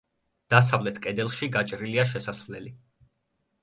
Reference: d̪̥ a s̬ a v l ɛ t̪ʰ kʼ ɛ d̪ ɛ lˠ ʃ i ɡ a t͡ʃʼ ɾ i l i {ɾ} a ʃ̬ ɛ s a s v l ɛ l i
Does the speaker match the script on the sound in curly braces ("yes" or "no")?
no